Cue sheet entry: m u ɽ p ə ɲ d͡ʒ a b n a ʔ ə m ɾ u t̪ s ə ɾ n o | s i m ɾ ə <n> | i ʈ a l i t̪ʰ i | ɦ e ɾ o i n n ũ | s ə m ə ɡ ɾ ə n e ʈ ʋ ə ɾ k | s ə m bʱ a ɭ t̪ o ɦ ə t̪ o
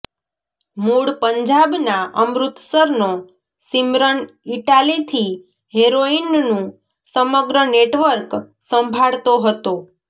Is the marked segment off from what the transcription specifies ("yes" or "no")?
no